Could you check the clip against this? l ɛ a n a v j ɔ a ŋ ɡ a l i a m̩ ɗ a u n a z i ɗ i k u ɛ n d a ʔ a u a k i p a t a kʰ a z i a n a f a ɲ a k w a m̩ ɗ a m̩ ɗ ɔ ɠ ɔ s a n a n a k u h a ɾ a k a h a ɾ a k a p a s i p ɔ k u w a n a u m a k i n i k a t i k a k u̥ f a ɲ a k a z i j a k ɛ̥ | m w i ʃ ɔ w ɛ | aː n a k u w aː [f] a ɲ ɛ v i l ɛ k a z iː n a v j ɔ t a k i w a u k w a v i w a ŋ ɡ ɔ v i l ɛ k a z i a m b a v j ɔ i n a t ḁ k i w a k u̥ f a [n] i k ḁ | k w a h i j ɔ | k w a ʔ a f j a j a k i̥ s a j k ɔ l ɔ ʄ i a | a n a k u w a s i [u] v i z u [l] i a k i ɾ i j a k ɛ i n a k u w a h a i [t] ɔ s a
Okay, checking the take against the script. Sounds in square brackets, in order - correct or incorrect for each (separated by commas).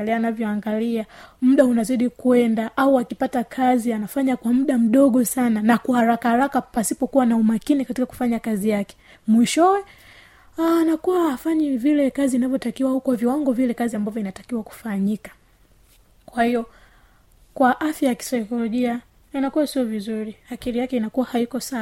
correct, incorrect, incorrect, incorrect, incorrect